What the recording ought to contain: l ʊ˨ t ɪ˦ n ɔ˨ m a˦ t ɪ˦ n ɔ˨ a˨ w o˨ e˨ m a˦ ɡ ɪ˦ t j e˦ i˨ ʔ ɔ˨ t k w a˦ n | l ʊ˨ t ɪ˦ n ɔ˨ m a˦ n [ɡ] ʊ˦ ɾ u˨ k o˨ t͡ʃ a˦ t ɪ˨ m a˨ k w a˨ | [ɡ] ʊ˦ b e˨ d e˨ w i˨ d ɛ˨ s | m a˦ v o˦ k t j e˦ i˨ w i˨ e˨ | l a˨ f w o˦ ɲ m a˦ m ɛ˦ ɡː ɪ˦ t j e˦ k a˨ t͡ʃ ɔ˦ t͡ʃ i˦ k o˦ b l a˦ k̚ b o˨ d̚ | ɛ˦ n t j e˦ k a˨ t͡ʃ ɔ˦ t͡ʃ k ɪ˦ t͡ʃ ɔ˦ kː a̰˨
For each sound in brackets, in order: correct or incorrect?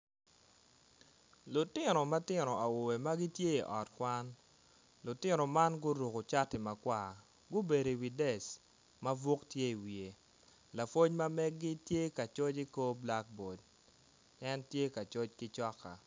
correct, correct

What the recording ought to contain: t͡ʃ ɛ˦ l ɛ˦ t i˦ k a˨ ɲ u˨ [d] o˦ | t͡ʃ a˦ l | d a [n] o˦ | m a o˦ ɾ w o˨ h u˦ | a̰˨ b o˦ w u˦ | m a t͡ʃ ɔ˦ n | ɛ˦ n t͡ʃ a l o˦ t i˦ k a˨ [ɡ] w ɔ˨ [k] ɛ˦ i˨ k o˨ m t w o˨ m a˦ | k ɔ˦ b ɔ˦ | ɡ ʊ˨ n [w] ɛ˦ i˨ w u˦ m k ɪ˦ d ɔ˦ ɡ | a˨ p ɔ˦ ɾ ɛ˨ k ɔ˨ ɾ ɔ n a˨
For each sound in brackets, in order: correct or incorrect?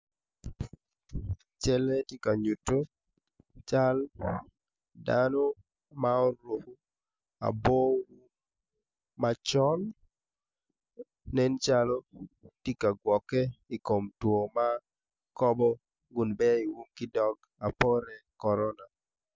incorrect: t, correct, correct, correct, incorrect: b

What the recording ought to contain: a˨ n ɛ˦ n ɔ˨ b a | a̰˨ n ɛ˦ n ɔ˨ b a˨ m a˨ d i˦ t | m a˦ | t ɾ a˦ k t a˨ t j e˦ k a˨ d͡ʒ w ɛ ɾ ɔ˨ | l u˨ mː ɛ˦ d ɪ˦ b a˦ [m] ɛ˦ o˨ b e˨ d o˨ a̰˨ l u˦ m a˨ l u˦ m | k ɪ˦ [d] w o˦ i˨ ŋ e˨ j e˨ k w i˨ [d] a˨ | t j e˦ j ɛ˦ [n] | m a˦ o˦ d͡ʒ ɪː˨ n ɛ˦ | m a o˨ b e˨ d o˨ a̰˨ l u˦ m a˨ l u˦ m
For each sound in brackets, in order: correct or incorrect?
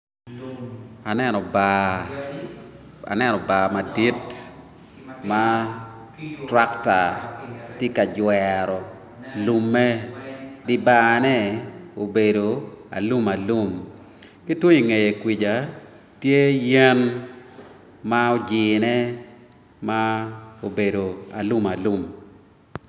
incorrect: n, incorrect: t, incorrect: d͡ʒ, correct

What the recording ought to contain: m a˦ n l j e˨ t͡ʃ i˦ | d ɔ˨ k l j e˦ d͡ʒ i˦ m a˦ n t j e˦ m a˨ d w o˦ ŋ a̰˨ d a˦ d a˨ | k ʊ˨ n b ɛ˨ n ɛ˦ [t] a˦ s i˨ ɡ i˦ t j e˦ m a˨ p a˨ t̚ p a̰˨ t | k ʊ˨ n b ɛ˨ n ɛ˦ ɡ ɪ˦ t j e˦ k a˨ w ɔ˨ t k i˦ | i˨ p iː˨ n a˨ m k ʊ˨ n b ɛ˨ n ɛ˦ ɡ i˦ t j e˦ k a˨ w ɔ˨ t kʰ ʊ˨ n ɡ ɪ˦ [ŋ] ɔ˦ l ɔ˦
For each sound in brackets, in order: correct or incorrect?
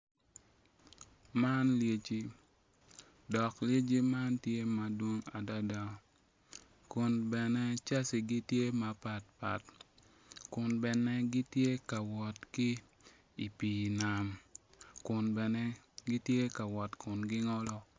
incorrect: t͡ʃ, correct

